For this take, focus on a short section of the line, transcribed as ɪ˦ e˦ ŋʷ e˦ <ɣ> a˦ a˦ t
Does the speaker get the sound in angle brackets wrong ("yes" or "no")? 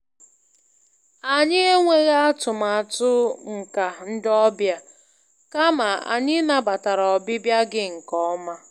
no